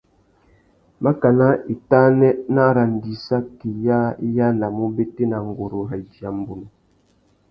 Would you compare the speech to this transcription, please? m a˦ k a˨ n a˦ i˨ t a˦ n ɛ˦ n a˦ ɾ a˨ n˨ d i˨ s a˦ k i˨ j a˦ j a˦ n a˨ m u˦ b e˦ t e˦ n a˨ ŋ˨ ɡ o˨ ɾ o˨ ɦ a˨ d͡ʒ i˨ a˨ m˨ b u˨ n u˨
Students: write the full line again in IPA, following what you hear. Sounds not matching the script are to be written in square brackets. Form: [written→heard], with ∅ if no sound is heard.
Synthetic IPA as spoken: m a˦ k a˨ n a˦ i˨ t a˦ n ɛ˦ n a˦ ɾ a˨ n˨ d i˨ s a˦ k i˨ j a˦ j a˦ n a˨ m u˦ b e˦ t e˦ n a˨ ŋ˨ ɡ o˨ ɾ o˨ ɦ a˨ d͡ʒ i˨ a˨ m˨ b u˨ n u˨